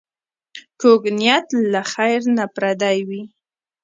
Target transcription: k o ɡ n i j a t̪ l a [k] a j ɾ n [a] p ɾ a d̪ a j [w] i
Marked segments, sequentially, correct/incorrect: incorrect: x, correct, correct

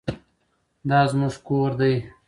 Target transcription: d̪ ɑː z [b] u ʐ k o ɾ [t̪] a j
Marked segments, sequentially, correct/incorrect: incorrect: m, incorrect: d̪

